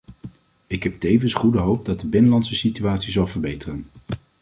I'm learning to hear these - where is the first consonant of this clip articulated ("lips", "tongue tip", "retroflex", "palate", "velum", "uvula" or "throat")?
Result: velum